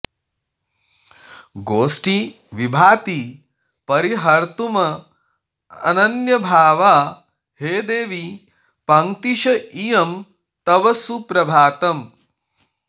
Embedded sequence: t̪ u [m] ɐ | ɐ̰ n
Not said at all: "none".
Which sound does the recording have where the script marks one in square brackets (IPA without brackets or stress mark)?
m